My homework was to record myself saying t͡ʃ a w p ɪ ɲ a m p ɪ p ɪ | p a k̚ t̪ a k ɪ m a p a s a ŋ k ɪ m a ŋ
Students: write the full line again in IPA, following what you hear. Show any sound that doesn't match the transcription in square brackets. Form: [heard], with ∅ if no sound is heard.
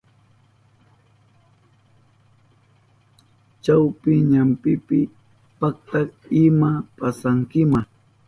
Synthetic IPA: t͡ʃ a w p ɪ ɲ a m p ɪ p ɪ | p a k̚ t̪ a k ɪ m a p a s a ŋ k ɪ m a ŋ